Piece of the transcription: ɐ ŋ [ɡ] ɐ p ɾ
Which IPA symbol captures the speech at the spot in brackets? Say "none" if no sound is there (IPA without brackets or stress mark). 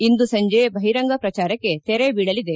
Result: ɡ